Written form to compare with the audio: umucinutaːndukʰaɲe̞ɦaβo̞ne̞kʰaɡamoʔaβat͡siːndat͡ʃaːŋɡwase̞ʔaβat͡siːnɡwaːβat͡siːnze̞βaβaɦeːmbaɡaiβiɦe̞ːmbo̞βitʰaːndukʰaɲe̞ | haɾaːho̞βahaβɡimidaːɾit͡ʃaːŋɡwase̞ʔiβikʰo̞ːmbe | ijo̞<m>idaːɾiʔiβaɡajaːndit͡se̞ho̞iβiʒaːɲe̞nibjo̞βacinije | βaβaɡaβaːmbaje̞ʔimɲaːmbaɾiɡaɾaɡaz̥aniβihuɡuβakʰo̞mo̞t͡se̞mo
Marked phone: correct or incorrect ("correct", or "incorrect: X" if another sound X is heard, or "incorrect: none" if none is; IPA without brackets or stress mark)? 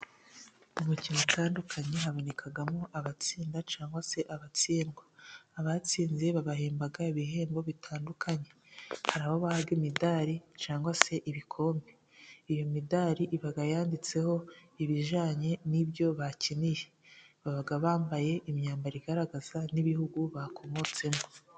correct